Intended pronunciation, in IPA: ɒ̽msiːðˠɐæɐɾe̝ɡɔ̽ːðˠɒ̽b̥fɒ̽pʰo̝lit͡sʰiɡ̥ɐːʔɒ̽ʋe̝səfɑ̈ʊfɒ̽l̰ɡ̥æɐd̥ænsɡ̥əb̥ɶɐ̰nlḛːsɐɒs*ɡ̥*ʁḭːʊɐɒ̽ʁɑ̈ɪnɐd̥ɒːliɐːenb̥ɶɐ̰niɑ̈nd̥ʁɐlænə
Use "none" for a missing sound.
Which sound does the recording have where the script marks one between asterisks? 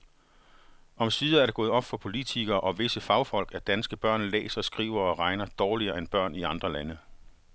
ɡ̥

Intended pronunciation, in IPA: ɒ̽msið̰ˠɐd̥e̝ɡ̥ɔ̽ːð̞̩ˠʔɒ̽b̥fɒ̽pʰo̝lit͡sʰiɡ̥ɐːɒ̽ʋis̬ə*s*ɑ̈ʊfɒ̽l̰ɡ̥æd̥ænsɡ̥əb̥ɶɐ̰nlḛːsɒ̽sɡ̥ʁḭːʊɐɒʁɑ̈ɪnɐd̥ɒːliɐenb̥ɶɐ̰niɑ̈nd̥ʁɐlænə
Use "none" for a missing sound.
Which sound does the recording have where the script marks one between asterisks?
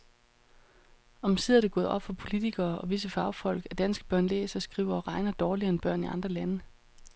f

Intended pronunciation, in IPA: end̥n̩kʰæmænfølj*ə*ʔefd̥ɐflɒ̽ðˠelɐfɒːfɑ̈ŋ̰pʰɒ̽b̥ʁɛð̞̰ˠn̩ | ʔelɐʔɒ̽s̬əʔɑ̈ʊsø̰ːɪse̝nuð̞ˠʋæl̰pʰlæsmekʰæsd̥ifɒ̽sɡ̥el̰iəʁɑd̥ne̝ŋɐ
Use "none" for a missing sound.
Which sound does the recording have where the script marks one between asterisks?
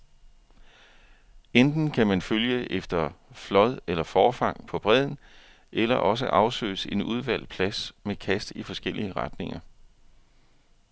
ə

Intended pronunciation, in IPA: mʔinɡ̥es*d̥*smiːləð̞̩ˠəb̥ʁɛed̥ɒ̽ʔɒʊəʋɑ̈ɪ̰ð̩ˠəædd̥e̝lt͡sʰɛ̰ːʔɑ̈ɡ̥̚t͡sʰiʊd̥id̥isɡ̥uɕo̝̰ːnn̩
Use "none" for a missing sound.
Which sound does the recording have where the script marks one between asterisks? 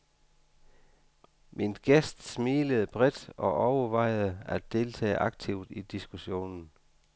d̥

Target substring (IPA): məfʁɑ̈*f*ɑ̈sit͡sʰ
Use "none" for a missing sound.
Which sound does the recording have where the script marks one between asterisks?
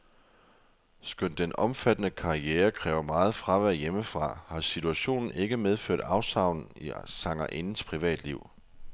h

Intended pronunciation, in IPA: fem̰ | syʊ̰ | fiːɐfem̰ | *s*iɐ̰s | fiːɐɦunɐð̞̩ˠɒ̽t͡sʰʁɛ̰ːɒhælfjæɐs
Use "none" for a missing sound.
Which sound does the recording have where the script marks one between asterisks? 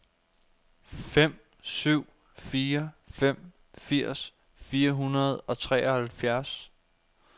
f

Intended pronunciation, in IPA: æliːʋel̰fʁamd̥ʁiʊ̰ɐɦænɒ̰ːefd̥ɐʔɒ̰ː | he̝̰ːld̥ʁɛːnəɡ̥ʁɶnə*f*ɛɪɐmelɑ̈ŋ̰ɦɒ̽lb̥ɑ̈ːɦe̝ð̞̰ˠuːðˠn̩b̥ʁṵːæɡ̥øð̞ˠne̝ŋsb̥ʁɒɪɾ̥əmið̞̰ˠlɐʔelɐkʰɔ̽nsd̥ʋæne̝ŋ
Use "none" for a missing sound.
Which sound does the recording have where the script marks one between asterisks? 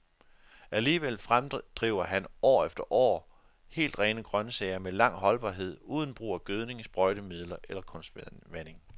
s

